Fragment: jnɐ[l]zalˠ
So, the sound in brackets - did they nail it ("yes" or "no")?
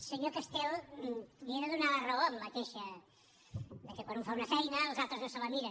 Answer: yes